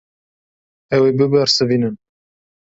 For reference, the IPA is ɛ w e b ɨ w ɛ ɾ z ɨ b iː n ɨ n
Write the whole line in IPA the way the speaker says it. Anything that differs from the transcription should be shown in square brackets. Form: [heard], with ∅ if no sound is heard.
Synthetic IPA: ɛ w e b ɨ [b] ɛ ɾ [s] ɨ [v] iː n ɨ n